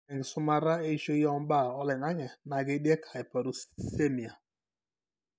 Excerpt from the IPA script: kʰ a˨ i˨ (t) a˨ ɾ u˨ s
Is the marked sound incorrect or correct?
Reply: incorrect